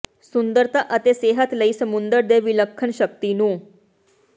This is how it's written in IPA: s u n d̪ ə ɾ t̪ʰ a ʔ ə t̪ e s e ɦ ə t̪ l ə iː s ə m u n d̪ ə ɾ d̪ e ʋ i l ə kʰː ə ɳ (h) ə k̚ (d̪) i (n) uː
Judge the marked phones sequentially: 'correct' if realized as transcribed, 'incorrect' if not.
incorrect: ɕ, incorrect: t̪, correct

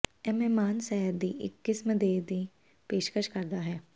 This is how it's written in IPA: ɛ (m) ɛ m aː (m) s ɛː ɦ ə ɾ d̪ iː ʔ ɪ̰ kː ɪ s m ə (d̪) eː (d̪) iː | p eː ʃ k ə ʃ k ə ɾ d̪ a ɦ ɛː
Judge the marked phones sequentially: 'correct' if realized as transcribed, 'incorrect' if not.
correct, incorrect: n, correct, correct

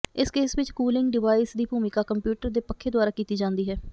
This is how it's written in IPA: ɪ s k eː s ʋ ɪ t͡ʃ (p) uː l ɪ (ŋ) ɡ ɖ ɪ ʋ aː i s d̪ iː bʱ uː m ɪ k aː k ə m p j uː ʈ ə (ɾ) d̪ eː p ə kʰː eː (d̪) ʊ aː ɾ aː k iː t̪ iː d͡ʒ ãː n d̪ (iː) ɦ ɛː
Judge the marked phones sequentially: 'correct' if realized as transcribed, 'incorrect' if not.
incorrect: k, correct, correct, correct, correct

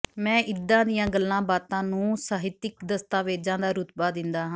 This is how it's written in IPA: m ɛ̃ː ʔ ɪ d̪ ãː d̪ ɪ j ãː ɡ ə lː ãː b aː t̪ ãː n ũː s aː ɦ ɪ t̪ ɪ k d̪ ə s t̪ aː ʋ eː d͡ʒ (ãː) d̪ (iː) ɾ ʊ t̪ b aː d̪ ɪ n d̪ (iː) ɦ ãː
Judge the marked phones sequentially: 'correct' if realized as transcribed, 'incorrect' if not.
correct, incorrect: aː, incorrect: aː

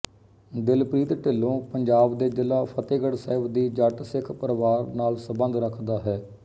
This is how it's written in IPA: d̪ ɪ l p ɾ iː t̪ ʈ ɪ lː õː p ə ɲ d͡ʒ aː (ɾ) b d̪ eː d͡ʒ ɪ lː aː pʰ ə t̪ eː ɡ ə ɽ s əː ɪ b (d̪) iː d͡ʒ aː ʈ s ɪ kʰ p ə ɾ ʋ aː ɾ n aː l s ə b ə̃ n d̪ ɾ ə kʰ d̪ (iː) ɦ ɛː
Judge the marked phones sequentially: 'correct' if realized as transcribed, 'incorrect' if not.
incorrect: none, correct, incorrect: aː

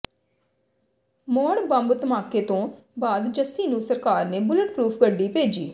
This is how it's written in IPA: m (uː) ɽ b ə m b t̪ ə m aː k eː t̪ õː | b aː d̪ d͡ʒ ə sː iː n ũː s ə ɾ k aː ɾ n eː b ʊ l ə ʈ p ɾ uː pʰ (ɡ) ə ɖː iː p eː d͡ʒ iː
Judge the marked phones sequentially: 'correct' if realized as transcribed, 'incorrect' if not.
incorrect: ɔː, correct

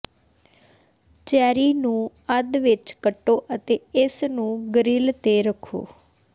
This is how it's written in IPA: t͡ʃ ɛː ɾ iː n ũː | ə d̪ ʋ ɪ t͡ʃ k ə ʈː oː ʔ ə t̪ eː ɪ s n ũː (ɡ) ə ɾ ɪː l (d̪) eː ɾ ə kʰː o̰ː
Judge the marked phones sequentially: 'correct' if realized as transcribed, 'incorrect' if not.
correct, incorrect: t̪

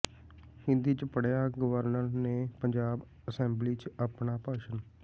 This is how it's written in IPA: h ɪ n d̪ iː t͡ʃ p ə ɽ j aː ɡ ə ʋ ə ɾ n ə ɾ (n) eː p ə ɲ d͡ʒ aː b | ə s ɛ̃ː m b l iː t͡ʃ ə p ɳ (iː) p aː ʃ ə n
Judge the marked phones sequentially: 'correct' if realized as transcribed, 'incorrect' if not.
correct, incorrect: aː

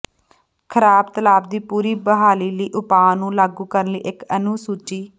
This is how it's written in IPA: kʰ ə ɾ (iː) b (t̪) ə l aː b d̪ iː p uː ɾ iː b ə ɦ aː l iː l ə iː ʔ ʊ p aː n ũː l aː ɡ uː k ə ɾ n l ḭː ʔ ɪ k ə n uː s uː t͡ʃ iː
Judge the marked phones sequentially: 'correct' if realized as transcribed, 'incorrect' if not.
incorrect: aː, correct

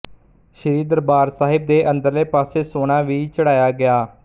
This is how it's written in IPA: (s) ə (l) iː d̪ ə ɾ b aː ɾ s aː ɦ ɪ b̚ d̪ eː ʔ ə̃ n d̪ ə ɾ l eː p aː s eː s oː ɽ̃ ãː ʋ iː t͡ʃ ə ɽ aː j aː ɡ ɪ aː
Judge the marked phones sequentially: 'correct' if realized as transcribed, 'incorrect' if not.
incorrect: ʃ, incorrect: ɾ

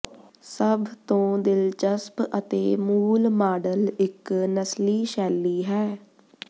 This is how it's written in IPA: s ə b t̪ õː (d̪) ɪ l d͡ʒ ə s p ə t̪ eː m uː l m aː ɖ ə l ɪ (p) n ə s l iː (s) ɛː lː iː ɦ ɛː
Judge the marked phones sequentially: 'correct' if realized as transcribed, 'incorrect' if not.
correct, incorrect: k, incorrect: ʃ

